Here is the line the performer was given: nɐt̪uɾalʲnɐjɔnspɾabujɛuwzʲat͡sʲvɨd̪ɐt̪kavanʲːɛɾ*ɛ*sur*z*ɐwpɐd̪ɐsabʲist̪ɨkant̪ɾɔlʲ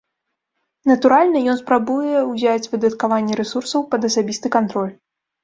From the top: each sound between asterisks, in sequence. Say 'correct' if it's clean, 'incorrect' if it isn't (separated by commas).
correct, incorrect